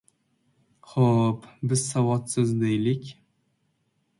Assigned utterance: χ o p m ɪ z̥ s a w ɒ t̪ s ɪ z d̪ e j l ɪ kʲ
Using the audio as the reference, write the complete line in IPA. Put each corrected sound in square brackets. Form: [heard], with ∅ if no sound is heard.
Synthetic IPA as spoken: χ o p [b] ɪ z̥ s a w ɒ t̪ s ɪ z d̪ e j l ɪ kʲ